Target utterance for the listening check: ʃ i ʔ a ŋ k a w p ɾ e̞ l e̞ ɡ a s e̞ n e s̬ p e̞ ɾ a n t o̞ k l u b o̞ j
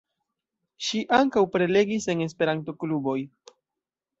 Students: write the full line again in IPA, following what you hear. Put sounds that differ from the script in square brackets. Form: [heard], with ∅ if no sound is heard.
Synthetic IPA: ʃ i ʔ a ŋ k a w p ɾ e̞ l e̞ ɡ [i] s e̞ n e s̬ p e̞ ɾ a n t o̞ k l u b o̞ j

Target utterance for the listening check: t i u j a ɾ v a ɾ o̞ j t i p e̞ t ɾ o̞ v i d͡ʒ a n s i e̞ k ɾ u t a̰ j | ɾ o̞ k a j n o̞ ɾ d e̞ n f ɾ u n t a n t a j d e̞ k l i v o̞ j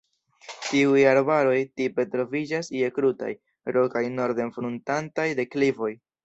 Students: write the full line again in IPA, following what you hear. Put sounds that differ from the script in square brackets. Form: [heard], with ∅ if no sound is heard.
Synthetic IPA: t i u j a ɾ [b] a ɾ o̞ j t i p e̞ t ɾ o̞ v i d͡ʒ a [∅] s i e̞ k ɾ u t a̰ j | ɾ o̞ k a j n o̞ ɾ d e̞ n f ɾ u n t a n t a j d e̞ k l i v o̞ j

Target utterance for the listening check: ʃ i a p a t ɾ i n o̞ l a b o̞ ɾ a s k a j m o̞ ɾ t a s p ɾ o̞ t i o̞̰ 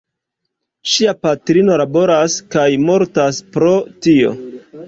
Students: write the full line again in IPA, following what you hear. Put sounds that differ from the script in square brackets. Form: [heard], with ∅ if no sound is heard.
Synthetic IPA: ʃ i a p a t ɾ i n o̞ l a b o̞ ɾ a s k a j m o̞ ɾ t a s p ɾ o̞ t i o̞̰

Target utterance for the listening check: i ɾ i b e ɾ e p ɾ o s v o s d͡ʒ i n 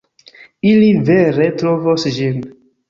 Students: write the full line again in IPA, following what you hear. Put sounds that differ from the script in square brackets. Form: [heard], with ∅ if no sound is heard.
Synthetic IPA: i [l] i [v] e ɾ e [t] ɾ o [∅] v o s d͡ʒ i n

